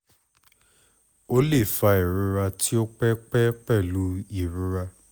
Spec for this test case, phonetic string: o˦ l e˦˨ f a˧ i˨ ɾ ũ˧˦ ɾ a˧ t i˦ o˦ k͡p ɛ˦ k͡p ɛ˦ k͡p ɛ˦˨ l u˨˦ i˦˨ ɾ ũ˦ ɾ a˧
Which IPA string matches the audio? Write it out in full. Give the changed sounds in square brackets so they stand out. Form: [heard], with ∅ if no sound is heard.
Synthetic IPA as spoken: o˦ l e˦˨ f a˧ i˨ ɾ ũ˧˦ ɾ a˧ t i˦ o˦ k͡p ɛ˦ k͡p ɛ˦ k͡p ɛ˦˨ l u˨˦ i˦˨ ɾ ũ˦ ɾ a˧